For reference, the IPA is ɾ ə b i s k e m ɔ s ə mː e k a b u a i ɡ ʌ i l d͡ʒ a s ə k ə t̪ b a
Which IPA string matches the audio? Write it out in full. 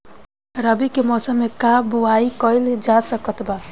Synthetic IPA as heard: ɾ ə b i k e m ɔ s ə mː e k a b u a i k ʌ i l d͡ʒ a s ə k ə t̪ b a